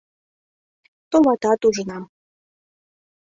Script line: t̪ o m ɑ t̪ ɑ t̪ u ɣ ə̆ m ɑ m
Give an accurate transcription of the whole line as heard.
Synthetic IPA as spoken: t̪ o m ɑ t̪ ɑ t̪ u ʒ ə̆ n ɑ m